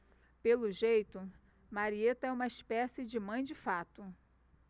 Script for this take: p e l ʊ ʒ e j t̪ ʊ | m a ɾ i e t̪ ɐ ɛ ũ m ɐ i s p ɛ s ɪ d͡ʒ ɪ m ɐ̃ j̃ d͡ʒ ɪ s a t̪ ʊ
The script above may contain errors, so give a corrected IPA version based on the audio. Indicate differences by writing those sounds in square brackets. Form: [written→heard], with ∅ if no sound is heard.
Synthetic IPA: p e l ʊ ʒ e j t̪ ʊ | m a ɾ i e t̪ ɐ ɛ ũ m ɐ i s p ɛ s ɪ d͡ʒ ɪ m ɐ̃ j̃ d͡ʒ ɪ [s→f] a t̪ ʊ